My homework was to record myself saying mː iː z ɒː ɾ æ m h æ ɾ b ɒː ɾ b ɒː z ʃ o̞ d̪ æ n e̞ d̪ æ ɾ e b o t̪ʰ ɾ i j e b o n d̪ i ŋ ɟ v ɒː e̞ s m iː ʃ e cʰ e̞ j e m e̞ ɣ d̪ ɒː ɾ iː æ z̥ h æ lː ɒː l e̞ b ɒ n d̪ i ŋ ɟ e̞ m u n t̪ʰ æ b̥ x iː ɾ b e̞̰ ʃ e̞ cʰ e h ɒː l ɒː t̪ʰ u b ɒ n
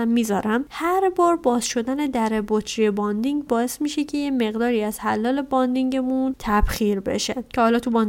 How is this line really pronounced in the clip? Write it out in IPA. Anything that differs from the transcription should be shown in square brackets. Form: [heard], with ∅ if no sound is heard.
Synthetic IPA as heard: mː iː z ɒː ɾ æ m h æ ɾ b ɒː ɾ b ɒː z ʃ o̞ d̪ æ n e̞ d̪ æ ɾ e b o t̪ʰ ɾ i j e b [ɒ] n d̪ i ŋ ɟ [b] ɒː e̞ s m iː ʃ e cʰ e̞ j e m e̞ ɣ d̪ ɒː ɾ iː æ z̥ h æ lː ɒː l e̞ b ɒ n d̪ i ŋ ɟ e̞ m u n t̪ʰ æ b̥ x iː ɾ b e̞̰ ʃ e̞ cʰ e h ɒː l ɒː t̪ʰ u b ɒ n